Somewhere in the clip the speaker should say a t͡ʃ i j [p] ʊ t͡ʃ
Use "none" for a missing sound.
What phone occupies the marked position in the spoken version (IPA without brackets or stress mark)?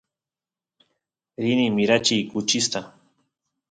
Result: k